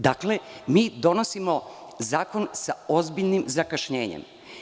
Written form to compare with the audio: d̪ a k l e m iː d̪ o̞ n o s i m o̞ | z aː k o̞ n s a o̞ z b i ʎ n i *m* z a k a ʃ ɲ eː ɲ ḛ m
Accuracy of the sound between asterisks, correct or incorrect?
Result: correct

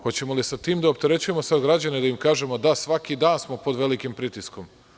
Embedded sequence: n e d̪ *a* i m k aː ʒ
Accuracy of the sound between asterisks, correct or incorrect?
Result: correct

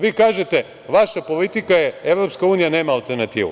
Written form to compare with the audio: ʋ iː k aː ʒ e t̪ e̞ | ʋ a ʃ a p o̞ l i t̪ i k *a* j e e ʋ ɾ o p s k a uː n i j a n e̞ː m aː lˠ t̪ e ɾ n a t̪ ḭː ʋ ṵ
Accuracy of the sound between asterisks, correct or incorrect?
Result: correct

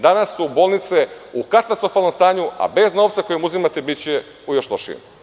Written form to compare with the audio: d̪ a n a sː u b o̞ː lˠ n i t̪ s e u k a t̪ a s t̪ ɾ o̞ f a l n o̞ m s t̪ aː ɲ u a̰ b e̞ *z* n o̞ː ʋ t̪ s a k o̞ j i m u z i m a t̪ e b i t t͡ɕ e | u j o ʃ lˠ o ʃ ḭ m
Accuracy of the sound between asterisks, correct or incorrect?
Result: correct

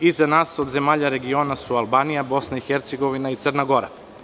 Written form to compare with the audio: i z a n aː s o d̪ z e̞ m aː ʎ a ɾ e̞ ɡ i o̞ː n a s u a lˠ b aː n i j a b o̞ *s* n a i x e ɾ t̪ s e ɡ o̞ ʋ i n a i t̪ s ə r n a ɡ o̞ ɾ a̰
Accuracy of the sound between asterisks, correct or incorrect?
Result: correct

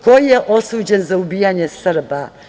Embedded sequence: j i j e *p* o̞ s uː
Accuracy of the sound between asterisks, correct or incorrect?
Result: incorrect: ʔ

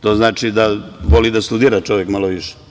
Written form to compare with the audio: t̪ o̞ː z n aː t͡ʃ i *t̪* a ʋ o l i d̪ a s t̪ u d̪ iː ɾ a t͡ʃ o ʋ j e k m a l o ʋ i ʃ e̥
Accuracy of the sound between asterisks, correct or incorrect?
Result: incorrect: d̪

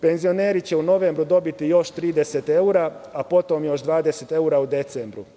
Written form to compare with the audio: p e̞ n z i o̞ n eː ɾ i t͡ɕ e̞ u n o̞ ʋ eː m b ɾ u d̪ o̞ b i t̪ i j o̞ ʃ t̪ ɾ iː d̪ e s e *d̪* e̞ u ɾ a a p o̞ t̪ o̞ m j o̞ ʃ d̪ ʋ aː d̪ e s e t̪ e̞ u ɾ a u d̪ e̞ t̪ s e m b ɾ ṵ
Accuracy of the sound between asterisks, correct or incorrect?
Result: incorrect: t̪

